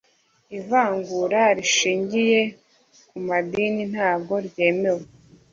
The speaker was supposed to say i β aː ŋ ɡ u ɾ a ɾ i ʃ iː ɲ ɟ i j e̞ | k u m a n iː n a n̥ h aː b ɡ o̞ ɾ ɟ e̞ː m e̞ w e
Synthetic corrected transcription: i v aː ŋ ɡ u ɾ a ɾ i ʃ iː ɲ ɟ i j e̞ | k u m a d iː n i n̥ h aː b ɡ o̞ ɾ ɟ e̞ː m e̞ w e